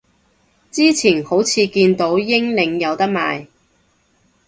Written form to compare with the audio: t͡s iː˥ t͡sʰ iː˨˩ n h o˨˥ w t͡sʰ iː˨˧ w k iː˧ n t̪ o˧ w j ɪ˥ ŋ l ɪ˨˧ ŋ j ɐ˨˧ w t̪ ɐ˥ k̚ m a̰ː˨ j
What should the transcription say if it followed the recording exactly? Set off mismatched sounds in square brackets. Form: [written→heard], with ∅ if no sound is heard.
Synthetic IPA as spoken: t͡s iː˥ t͡sʰ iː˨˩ n h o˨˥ w t͡sʰ iː˨˧ [w→∅] k iː˧ n t̪ [o˧→o˨˥] w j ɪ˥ ŋ l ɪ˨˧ ŋ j ɐ˨˧ w t̪ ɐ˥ k̚ m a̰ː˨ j